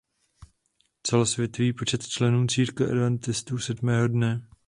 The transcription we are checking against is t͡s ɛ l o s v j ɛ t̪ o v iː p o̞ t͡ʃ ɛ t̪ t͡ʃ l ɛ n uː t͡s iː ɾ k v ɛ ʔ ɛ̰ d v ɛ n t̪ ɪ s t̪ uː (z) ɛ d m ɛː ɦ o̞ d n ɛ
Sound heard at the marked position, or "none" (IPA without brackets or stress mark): s